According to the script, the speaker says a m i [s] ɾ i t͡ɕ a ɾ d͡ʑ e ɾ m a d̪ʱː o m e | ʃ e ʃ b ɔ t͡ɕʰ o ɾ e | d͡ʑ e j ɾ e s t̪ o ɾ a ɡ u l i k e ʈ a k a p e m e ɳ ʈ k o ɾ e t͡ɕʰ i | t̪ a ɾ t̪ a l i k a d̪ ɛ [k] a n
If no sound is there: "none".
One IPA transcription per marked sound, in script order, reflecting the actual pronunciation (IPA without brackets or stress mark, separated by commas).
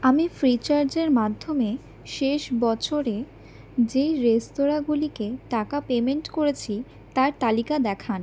f, kʰ